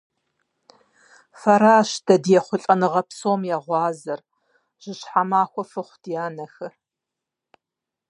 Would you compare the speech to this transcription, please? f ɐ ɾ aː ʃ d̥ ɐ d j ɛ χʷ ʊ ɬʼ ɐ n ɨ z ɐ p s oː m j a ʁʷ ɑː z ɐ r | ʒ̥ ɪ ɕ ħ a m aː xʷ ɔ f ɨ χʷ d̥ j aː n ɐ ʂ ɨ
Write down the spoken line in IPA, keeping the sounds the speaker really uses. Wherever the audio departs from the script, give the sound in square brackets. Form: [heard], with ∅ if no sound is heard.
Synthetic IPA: f ɐ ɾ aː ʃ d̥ ɐ d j ɛ χʷ ʊ ɬʼ ɐ n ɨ [ʁ] ɐ p s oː m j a ʁʷ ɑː z ɐ r | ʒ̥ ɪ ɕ ħ a m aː xʷ ɔ f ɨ χʷ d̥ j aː n ɐ [x] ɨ